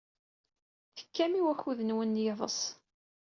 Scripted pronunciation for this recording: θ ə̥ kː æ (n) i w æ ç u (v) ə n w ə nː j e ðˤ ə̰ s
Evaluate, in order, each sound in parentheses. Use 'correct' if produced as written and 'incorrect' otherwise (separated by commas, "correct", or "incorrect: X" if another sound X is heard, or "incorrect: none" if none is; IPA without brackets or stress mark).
incorrect: m, incorrect: ð